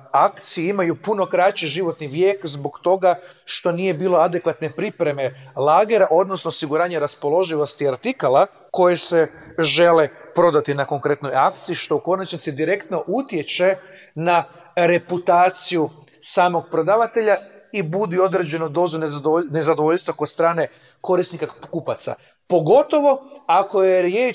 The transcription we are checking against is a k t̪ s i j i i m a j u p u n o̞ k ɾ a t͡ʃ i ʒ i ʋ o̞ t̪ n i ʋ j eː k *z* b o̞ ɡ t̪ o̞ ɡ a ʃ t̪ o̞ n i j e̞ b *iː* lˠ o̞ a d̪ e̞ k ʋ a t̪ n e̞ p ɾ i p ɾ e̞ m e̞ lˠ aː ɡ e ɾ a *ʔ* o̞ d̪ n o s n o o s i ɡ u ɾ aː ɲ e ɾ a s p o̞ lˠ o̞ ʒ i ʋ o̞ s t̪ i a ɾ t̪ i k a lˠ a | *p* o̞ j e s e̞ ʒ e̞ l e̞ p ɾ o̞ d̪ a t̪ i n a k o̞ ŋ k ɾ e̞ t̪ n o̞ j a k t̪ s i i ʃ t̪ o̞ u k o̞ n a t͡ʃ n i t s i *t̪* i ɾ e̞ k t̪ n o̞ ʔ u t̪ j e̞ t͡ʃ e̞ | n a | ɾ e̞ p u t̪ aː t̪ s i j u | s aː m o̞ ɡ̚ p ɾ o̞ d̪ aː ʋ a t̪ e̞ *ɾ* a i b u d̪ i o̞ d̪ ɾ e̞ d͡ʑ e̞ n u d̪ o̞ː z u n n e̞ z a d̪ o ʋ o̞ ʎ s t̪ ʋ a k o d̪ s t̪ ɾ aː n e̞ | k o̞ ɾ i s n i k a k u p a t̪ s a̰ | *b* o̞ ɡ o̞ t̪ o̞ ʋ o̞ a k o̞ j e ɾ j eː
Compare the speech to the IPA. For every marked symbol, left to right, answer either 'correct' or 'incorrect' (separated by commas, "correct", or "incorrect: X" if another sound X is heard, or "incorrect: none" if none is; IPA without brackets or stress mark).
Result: correct, correct, correct, incorrect: k, incorrect: d̪, incorrect: ʎ, incorrect: p